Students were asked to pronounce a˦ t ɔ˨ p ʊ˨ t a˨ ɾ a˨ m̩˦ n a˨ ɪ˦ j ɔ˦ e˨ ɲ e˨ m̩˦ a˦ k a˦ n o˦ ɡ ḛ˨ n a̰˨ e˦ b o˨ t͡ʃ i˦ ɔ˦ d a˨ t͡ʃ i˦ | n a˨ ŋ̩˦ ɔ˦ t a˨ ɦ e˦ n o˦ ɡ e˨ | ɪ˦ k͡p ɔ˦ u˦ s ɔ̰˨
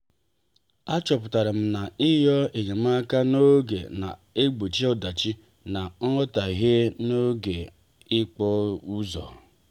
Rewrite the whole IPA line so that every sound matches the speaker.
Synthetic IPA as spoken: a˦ t͡ʃ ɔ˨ p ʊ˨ t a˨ ɾ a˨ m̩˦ n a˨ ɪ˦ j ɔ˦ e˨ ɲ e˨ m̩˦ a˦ k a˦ n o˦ ɡ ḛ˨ n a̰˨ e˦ ɡ͡b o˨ t͡ʃ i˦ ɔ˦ d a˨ t͡ʃ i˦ | n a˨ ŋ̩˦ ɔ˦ t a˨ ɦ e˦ n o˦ ɡ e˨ | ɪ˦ k͡p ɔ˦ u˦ z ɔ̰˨